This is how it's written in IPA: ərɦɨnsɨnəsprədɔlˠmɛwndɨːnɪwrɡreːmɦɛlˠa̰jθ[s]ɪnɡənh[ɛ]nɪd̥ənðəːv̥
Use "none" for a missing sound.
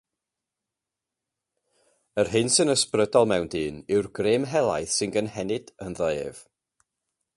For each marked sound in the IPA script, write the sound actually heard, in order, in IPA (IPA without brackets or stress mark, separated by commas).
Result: s, ɛ